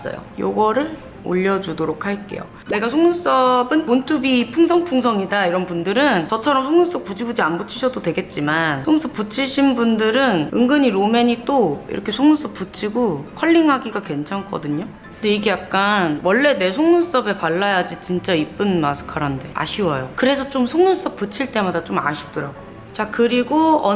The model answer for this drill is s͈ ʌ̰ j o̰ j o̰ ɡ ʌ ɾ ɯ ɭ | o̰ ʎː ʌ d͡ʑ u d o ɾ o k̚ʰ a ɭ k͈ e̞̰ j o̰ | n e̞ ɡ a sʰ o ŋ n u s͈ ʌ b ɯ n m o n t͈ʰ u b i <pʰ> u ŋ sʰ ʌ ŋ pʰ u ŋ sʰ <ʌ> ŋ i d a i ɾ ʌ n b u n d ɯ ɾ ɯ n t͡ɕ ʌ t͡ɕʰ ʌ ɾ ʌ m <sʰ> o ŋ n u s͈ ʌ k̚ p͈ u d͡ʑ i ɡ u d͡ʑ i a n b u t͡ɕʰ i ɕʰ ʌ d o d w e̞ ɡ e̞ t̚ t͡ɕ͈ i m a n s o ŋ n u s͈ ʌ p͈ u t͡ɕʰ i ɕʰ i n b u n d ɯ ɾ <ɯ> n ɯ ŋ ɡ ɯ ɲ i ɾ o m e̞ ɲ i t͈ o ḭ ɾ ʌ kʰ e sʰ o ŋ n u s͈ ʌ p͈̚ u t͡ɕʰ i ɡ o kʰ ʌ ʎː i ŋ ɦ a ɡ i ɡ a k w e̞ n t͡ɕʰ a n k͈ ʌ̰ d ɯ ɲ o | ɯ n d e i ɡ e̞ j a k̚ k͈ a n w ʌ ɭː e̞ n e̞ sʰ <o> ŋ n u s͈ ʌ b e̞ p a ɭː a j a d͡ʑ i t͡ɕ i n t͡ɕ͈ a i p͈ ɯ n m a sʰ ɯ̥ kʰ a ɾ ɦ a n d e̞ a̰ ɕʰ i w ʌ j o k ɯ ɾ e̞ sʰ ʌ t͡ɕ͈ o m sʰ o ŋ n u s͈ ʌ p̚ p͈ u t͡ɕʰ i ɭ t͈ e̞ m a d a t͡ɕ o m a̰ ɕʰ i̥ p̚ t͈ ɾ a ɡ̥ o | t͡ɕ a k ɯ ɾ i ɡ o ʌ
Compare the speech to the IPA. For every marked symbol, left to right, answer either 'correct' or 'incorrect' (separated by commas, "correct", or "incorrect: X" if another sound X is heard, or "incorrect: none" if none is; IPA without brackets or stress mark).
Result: correct, correct, correct, correct, correct